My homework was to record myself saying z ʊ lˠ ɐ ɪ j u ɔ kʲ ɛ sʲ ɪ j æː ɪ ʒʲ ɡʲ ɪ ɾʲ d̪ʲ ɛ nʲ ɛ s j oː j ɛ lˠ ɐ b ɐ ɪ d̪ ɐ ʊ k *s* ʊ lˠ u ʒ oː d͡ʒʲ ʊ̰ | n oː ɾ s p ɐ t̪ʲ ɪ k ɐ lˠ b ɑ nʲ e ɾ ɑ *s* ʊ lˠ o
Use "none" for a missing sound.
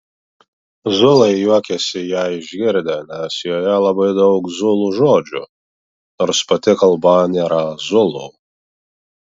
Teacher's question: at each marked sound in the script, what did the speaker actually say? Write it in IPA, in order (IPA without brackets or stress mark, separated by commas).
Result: z, z